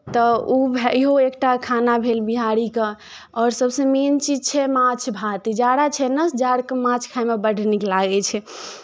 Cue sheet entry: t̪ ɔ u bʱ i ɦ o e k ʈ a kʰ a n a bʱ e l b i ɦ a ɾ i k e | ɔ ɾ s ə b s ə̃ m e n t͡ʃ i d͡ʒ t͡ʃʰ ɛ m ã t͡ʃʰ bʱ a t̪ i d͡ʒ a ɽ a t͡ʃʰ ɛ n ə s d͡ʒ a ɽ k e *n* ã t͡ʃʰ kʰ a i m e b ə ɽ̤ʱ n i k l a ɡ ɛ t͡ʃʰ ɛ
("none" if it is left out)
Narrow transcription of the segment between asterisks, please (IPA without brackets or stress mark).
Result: m